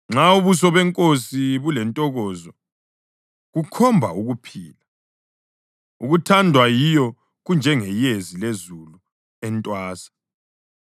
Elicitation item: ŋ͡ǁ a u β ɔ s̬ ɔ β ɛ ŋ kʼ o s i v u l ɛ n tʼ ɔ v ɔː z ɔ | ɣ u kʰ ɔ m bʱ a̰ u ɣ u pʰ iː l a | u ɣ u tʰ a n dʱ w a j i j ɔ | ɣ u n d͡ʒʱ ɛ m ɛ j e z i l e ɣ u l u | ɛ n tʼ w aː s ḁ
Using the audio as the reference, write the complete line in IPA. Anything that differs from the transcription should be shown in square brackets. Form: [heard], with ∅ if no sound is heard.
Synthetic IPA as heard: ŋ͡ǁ a u β [u] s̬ ɔ β ɛ ŋ kʼ o s i [β] u l ɛ n tʼ ɔ [ɣ] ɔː z ɔ | ɣ u kʰ ɔ m bʱ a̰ u ɣ u pʰ iː l a | u ɣ u tʰ a n dʱ w a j i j ɔ | ɣ u n d͡ʒʱ ɛ [ŋ] ɛ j e z i l e [z] u l u | ɛ n tʼ w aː s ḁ